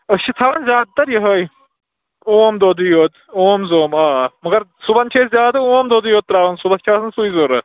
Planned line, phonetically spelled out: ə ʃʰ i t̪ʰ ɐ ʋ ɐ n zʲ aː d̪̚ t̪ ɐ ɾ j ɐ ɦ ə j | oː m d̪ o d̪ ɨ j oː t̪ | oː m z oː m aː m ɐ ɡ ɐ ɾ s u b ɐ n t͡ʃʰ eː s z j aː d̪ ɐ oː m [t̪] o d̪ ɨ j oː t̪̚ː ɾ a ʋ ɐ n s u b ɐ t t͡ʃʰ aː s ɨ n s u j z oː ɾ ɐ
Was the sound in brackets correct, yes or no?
no